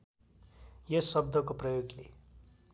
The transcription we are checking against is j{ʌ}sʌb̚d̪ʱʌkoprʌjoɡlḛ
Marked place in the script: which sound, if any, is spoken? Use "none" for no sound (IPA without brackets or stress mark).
ʌ